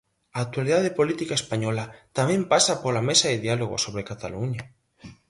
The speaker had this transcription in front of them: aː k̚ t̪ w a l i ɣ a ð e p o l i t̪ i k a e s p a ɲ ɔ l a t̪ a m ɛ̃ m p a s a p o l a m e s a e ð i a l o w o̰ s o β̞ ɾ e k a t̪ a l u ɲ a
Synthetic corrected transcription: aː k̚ t̪ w a l i ð a ð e p o l i t̪ i k a e s p a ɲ ɔ l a t̪ a m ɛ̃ m p a s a p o l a m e s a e ð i a l o ɣ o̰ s o β̞ ɾ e k a t̪ a l u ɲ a